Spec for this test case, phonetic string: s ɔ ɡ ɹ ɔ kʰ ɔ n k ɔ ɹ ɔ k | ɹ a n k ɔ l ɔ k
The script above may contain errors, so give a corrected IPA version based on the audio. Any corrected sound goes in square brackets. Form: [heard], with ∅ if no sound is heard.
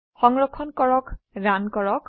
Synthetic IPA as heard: [x] ɔ [ŋ] ɹ ɔ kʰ ɔ n k ɔ ɹ ɔ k | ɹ a n k ɔ [ɹ] ɔ k